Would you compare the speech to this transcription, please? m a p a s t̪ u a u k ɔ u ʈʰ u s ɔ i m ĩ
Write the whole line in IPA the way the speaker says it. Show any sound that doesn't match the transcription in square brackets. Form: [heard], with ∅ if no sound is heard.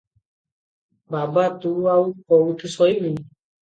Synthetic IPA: [b] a [b] a [∅] t̪ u a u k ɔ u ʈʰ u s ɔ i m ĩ